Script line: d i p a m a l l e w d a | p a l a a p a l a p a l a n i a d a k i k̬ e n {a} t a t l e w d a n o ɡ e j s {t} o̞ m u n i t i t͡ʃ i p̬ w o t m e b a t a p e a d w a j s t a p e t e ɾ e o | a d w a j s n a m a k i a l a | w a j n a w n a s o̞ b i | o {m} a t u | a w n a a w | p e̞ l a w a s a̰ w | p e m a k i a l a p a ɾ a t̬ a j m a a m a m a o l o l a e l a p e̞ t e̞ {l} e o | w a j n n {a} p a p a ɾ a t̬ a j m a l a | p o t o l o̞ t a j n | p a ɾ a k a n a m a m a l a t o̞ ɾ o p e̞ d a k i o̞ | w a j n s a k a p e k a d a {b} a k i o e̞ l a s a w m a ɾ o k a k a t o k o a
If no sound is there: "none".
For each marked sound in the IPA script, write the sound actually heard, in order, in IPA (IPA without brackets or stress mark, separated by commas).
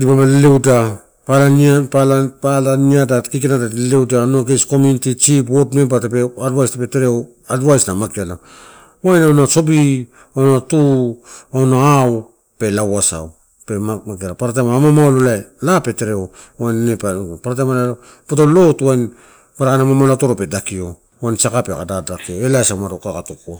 a, k, n, ɾ, e, d